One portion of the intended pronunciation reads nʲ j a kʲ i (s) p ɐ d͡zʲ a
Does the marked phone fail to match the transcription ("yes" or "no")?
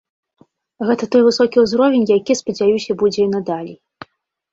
no